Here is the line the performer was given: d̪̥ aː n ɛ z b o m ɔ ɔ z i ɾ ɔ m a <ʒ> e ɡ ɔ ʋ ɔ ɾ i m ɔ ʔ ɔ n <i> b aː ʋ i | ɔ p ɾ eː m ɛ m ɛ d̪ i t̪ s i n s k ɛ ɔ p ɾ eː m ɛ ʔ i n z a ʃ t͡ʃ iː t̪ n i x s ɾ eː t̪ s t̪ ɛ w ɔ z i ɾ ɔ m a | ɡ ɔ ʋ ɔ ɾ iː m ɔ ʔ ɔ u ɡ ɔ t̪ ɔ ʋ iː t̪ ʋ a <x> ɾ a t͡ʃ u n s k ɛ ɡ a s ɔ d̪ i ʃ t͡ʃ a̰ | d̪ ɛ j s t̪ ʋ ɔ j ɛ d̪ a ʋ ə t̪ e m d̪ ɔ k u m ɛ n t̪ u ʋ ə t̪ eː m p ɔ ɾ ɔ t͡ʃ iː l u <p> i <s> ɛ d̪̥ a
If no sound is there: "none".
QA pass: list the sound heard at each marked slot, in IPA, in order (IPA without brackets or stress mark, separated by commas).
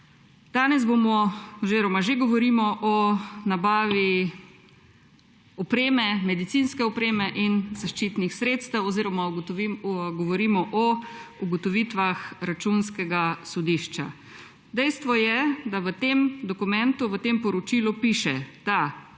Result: ʒ, a, x, p, ʃ